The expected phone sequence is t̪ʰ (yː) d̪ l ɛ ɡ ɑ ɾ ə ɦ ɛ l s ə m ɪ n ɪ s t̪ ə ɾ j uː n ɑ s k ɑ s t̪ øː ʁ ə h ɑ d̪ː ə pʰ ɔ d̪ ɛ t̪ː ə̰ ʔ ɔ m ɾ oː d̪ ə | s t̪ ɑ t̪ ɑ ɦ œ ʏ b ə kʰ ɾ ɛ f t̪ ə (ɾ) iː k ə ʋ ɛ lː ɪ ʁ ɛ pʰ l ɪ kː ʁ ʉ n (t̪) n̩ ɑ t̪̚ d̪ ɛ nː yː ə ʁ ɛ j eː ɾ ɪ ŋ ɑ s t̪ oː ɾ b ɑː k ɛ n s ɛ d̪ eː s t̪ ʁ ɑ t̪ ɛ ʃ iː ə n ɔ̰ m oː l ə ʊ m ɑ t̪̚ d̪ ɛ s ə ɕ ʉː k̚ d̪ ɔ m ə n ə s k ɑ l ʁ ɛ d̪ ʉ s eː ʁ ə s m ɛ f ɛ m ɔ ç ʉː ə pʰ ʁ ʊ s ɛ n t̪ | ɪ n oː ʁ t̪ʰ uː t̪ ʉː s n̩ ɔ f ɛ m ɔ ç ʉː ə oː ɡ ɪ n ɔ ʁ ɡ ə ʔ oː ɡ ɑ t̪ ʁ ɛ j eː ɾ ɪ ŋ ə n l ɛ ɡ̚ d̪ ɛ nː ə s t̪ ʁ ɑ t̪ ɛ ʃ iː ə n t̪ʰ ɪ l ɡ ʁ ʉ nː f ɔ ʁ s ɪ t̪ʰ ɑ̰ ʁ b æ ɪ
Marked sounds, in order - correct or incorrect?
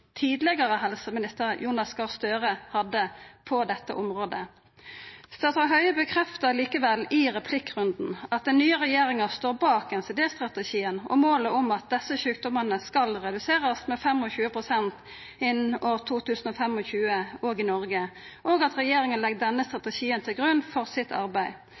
incorrect, incorrect, incorrect

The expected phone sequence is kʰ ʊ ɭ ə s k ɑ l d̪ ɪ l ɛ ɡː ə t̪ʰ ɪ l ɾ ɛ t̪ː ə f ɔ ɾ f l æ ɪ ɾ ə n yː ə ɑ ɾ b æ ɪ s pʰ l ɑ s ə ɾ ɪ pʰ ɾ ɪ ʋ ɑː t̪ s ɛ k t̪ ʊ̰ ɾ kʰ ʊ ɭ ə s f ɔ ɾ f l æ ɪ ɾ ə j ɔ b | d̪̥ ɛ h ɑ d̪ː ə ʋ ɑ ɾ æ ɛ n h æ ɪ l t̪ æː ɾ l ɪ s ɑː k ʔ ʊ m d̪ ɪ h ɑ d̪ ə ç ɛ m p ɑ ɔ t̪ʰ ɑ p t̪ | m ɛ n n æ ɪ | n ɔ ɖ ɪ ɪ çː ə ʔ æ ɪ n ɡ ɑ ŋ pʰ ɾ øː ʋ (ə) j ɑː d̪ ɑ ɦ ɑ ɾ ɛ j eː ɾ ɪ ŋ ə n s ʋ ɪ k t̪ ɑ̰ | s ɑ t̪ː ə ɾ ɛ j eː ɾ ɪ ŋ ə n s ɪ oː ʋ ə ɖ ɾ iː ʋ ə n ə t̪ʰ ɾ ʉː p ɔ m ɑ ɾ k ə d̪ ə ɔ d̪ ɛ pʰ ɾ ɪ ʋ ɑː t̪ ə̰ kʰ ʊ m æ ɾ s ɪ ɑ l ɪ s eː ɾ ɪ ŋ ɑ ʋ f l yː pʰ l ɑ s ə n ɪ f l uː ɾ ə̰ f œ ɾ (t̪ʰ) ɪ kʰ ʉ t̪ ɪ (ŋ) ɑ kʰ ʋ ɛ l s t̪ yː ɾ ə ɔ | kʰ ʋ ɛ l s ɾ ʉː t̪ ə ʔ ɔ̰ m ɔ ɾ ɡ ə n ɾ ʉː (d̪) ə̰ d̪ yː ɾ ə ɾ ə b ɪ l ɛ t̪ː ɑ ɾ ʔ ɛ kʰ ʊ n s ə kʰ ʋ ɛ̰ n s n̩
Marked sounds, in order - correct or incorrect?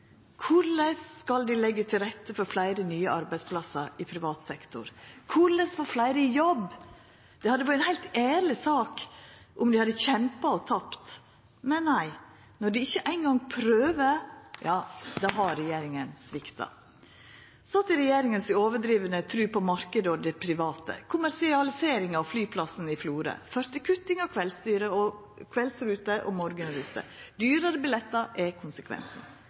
correct, incorrect, correct, incorrect

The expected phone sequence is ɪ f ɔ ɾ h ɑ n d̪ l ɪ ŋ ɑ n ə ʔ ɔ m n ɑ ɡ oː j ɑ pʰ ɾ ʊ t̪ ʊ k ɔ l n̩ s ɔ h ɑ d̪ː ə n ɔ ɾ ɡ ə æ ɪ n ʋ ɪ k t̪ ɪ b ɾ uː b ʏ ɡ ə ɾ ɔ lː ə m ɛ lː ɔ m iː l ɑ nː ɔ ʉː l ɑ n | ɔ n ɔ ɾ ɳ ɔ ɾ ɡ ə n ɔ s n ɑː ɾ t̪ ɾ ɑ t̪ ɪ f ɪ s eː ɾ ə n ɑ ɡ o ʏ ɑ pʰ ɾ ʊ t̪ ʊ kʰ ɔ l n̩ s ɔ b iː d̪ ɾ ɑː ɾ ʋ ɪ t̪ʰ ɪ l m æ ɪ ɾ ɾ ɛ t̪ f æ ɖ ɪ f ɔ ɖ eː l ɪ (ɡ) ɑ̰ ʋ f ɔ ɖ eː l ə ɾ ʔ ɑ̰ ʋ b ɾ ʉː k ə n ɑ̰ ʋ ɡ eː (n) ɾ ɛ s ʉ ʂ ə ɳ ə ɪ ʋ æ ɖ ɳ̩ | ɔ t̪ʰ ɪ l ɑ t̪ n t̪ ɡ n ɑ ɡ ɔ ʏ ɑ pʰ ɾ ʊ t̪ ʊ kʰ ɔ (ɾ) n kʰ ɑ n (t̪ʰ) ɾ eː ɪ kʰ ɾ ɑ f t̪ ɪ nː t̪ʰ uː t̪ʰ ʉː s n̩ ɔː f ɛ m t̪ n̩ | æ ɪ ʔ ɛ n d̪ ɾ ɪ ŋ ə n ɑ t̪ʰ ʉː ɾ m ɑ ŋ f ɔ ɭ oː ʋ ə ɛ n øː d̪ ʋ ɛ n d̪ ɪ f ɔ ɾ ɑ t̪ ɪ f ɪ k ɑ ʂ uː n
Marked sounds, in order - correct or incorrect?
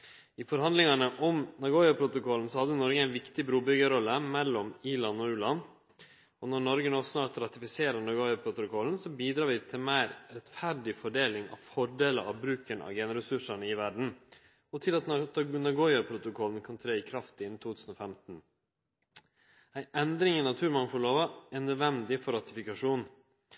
incorrect, correct, incorrect, correct

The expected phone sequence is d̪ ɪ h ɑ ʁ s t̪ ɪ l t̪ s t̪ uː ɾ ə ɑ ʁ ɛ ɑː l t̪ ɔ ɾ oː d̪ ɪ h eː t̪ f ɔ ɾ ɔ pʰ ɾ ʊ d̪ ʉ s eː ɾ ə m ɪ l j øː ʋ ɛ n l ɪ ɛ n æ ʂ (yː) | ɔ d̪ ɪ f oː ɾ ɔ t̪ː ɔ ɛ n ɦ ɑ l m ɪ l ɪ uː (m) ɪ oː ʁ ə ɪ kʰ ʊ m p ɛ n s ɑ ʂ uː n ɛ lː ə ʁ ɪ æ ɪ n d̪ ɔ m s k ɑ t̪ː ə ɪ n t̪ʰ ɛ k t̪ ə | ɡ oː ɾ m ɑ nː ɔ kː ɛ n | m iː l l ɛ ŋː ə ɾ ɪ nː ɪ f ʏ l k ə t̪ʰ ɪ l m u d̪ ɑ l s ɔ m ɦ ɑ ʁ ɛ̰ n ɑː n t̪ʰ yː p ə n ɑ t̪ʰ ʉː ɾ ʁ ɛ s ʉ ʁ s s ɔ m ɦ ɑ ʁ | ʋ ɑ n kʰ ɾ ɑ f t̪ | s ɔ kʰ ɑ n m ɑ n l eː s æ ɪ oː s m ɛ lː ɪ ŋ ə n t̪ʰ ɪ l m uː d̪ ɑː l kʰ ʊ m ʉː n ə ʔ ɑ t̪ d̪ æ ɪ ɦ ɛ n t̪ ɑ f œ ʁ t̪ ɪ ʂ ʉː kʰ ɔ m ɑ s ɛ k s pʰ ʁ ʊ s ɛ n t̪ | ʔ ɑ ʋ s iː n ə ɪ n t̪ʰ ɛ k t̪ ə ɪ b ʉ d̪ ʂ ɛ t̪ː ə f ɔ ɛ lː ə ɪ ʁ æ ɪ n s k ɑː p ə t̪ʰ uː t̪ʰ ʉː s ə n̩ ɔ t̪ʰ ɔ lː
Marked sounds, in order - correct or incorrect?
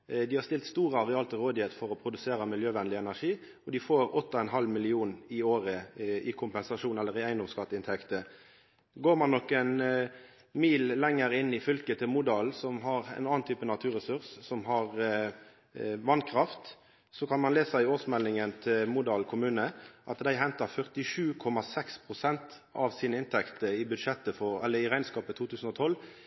incorrect, incorrect

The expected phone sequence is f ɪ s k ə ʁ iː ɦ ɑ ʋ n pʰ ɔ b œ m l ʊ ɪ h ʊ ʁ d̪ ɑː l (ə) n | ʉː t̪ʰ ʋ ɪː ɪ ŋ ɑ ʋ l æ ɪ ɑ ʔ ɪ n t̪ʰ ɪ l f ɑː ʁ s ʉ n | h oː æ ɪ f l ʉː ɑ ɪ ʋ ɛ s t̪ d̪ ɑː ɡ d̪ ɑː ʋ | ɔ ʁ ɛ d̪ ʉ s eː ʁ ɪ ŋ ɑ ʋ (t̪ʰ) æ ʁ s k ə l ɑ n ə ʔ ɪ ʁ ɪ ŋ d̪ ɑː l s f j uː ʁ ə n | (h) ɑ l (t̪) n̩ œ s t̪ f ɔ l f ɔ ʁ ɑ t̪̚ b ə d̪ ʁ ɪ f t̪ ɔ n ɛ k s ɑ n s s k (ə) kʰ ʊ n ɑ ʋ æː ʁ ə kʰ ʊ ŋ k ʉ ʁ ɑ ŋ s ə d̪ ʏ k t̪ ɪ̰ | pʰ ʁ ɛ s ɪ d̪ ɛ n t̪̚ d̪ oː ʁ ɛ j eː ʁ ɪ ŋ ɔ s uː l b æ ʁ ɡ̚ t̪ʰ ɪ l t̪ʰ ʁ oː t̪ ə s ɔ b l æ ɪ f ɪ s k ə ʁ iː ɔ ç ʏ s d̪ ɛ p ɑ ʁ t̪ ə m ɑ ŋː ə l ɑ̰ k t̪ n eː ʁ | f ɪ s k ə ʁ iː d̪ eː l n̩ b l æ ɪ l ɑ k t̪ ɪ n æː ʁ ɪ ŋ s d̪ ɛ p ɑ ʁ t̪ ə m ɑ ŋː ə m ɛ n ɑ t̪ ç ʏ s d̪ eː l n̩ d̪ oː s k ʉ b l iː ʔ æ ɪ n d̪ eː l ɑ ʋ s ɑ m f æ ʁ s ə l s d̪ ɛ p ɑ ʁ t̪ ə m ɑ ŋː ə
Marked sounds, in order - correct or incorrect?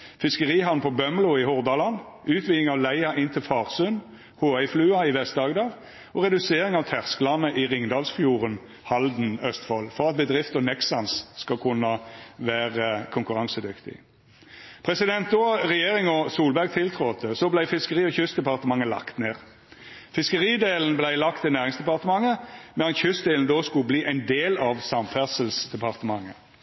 incorrect, correct, correct, incorrect, incorrect

